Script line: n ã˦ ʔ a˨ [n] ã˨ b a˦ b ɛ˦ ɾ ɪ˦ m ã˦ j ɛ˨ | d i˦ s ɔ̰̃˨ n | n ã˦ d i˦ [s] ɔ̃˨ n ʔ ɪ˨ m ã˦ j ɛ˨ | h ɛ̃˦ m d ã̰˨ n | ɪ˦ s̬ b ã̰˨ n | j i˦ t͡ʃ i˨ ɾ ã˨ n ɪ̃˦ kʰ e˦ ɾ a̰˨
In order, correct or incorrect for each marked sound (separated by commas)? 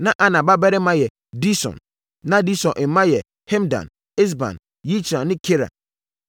correct, correct